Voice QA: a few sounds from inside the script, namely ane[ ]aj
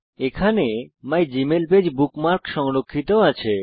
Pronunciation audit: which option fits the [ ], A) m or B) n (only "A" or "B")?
A